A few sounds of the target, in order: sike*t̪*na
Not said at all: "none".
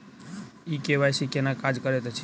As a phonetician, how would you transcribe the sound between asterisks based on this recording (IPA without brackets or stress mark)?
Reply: none